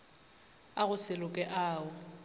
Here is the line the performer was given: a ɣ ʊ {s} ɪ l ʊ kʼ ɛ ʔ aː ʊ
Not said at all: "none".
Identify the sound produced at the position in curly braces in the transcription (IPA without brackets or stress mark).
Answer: s